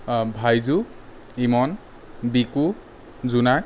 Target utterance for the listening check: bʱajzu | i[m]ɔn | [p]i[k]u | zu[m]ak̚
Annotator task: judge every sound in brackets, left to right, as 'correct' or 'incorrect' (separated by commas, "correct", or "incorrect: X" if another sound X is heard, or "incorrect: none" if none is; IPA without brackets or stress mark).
correct, incorrect: b, correct, incorrect: n